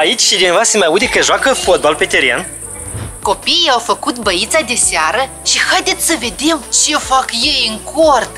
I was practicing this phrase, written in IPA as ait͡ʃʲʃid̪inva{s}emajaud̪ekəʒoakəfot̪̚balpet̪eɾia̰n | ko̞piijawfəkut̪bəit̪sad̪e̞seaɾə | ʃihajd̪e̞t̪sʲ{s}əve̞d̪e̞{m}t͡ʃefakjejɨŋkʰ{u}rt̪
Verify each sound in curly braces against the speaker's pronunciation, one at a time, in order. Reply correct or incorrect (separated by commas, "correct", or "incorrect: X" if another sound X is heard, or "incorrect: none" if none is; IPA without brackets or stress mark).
correct, correct, correct, incorrect: o